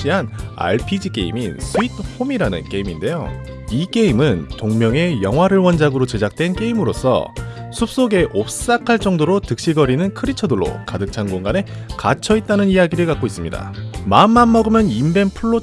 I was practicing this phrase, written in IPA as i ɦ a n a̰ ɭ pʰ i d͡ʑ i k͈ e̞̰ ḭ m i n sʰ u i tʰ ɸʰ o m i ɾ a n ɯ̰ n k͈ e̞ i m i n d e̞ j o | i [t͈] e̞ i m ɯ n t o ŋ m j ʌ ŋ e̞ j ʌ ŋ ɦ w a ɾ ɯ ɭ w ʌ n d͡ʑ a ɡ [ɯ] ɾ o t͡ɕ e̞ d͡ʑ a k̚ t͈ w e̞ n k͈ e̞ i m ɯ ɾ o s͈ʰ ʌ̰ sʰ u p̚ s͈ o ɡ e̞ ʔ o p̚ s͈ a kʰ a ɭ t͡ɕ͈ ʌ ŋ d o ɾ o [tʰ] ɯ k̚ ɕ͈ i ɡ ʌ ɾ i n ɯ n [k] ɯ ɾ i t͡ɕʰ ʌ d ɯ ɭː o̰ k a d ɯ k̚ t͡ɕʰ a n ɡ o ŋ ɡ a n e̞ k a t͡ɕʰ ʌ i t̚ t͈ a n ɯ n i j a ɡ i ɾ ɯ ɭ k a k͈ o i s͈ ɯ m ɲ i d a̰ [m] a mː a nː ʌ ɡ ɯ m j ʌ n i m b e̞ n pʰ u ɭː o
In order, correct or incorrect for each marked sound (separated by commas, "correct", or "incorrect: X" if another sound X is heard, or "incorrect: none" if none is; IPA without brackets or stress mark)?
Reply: incorrect: k͈, correct, incorrect: t, incorrect: kʰ, correct